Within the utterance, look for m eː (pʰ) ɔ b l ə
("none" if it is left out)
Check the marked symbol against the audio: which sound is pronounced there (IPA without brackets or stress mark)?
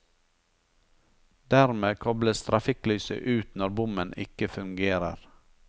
kʰ